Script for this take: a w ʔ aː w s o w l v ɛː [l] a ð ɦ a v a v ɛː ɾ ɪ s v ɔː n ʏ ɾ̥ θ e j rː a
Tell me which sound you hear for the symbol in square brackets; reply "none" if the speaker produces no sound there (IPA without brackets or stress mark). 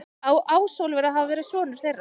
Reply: ɾ